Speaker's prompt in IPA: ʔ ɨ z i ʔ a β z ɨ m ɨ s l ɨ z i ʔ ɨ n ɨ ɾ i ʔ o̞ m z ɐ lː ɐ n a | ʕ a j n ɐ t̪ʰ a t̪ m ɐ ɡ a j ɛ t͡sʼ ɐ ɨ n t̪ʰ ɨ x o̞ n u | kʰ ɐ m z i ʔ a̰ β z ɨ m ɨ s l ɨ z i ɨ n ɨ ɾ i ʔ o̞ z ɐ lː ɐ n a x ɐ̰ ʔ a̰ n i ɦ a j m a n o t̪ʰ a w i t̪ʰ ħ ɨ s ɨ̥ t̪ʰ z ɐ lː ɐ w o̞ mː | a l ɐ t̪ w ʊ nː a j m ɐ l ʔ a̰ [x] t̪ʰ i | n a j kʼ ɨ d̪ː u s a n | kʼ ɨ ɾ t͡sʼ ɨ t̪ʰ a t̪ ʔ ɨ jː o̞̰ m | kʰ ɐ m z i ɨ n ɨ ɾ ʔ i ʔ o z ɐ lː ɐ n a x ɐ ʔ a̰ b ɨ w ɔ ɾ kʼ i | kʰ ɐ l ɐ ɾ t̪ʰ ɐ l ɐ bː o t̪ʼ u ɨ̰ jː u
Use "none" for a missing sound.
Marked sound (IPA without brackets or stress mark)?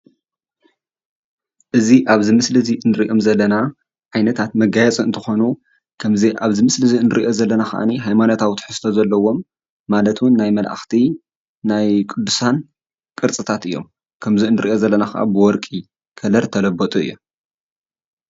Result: x